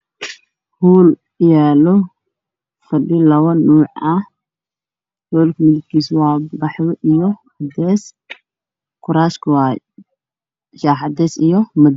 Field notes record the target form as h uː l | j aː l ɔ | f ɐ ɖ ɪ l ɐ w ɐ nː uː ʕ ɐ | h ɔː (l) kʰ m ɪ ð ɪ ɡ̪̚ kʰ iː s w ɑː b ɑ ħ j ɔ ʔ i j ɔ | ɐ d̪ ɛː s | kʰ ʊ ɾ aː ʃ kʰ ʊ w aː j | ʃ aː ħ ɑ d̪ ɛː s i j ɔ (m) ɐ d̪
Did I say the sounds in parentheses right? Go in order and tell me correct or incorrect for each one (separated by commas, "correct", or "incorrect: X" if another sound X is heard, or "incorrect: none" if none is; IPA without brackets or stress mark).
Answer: correct, correct